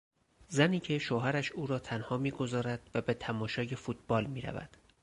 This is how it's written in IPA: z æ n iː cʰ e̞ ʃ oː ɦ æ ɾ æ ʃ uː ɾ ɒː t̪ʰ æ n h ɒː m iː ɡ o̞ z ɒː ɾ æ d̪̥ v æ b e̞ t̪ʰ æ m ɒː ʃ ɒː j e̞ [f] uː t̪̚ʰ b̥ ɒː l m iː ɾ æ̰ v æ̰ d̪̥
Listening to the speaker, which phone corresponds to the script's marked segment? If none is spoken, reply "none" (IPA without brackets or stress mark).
f